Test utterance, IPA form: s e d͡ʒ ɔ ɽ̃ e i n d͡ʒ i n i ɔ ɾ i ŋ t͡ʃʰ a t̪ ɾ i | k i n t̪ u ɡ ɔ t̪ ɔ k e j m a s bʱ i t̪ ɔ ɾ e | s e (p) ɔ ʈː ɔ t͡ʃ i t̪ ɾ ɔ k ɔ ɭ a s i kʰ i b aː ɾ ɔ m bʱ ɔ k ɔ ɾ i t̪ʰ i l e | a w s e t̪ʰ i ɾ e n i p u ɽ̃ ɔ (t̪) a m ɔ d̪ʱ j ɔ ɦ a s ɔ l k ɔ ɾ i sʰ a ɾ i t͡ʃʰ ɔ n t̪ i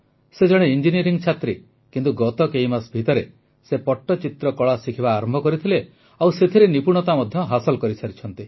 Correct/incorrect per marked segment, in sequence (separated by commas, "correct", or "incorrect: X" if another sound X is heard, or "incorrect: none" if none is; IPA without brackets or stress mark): correct, correct